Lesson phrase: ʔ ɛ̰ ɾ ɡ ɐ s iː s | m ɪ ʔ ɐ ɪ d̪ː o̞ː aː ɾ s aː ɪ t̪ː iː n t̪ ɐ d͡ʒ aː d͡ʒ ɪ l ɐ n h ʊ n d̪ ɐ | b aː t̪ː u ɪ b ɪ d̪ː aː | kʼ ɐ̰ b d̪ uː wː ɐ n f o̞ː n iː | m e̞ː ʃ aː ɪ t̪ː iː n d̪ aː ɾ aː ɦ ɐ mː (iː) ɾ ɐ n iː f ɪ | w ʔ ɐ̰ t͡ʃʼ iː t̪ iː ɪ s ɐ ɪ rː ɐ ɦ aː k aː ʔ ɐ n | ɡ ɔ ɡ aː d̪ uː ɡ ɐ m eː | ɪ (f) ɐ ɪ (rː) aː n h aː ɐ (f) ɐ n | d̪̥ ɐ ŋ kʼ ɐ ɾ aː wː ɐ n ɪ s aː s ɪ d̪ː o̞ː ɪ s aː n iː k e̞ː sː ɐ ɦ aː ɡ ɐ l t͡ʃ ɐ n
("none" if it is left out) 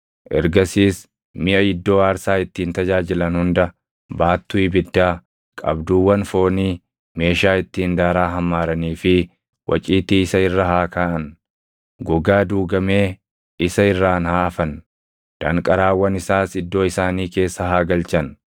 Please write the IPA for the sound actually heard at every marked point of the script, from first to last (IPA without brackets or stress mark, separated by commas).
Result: aː, s, rː, f